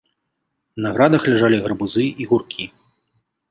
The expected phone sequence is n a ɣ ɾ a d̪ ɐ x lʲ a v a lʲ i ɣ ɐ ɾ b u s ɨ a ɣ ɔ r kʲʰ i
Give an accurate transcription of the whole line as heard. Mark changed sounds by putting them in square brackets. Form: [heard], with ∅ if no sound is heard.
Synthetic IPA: n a ɣ ɾ a d̪ ɐ x lʲ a [ʐ] a lʲ i ɣ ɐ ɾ b u [z] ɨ [i] ɣ [u] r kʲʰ i